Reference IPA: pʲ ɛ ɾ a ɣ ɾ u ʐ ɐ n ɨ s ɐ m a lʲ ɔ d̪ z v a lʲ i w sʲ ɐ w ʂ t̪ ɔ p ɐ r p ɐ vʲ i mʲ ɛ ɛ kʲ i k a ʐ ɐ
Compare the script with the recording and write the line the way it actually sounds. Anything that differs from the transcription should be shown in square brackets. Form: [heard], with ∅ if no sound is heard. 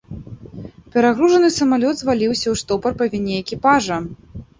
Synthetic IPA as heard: pʲ ɛ ɾ a ɣ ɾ u ʐ ɐ n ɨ s ɐ m a lʲ ɔ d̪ z v a lʲ i w sʲ ɐ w ʂ t̪ ɔ p ɐ r p ɐ vʲ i [nʲ] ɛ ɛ kʲ i [p] a ʐ ɐ